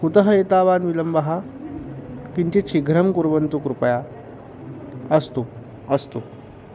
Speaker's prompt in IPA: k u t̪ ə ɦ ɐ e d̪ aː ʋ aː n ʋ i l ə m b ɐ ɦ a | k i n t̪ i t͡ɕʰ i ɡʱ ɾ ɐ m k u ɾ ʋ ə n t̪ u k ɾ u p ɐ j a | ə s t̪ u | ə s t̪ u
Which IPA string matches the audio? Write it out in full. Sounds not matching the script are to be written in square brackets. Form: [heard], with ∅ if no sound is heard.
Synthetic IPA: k u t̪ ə ɦ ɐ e [t̪] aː ʋ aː n ʋ i l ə m b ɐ ɦ a | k i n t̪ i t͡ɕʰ i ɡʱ ɾ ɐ m k u ɾ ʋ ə n t̪ u k ɾ u p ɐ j a | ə s t̪ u | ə s t̪ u